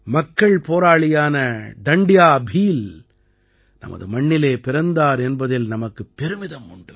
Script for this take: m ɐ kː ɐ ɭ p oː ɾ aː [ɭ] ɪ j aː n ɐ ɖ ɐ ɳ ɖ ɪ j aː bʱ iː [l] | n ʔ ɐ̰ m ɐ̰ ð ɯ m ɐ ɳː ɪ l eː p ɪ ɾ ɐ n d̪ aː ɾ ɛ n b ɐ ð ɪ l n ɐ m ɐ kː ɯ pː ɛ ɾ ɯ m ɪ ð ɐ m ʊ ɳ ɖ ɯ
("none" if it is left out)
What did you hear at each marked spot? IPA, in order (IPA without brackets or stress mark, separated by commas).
ɭ, l